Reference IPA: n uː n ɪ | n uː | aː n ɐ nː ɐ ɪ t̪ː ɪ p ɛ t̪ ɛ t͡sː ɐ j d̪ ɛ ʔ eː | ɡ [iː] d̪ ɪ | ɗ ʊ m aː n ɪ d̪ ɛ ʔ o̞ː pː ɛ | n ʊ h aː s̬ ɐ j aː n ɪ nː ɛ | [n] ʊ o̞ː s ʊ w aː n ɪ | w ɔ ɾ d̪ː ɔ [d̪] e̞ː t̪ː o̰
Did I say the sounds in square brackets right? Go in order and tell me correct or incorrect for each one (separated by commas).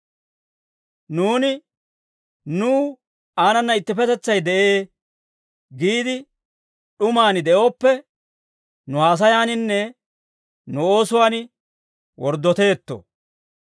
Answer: correct, correct, incorrect